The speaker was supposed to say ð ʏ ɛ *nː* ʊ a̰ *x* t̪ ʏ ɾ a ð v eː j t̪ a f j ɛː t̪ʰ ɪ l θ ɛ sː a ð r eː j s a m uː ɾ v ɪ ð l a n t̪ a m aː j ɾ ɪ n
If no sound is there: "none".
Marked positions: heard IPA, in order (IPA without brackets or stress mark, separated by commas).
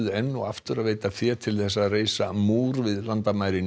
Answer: nː, f